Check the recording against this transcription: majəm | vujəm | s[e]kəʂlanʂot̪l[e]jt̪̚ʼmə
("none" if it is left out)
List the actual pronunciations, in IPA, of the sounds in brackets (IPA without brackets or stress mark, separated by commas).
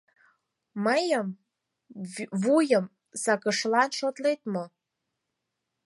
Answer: a, e